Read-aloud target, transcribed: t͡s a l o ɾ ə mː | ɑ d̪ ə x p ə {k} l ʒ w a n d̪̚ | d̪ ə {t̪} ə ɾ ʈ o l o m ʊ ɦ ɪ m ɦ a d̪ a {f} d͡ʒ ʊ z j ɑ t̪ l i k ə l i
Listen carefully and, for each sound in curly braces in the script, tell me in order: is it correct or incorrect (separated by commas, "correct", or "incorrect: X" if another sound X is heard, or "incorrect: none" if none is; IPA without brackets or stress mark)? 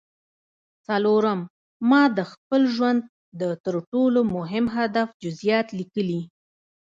incorrect: none, correct, correct